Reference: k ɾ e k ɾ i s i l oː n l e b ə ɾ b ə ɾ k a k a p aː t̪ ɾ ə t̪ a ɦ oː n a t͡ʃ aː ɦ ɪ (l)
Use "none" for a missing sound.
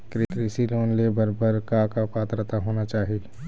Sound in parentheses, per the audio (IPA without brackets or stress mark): l